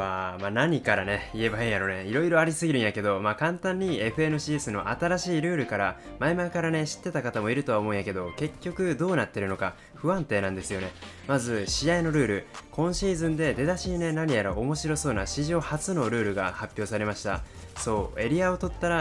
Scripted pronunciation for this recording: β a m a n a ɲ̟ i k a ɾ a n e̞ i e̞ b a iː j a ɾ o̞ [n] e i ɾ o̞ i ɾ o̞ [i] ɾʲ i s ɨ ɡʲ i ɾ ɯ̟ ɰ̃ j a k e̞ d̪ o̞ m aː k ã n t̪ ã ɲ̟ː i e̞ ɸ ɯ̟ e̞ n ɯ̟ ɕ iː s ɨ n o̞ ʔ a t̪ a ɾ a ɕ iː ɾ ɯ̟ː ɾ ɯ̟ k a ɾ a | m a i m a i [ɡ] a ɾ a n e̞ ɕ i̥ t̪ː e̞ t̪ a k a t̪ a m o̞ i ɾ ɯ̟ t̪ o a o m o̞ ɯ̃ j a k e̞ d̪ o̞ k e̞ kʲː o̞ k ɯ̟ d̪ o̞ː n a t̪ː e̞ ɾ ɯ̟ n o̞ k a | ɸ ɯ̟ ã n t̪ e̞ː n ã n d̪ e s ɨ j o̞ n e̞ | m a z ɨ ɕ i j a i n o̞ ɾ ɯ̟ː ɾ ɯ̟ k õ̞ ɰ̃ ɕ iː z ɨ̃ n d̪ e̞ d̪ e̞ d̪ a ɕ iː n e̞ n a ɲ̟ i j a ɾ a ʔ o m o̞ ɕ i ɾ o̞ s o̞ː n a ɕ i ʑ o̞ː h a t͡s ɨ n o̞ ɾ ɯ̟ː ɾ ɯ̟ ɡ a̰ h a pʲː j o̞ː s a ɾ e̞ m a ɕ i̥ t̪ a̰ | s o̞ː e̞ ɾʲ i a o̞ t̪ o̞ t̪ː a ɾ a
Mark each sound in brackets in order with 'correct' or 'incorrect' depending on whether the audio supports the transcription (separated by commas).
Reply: correct, incorrect, incorrect